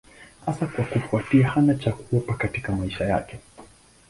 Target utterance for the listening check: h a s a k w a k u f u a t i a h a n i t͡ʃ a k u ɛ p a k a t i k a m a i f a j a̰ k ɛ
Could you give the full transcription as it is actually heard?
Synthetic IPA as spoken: h a s a k w a k u f u a t i a h a n a t͡ʃ a k u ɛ p a k a t i k a m a i ʃ a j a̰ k ɛ